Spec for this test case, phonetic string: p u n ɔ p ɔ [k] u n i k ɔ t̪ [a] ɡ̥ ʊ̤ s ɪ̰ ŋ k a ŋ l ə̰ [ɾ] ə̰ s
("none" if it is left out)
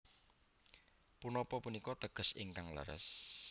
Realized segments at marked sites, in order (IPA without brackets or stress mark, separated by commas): p, ə, ɾ